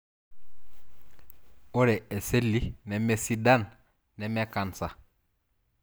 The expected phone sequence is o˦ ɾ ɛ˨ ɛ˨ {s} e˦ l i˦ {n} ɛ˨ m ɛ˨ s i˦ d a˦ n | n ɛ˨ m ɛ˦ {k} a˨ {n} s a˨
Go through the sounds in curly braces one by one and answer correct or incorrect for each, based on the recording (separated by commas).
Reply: correct, correct, correct, correct